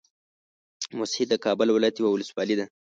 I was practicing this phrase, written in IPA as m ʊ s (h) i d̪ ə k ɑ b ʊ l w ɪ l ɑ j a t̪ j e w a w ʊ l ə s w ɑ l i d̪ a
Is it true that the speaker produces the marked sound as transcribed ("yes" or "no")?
yes